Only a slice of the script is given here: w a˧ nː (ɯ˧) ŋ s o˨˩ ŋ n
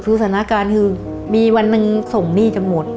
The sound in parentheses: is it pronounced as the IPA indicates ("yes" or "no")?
yes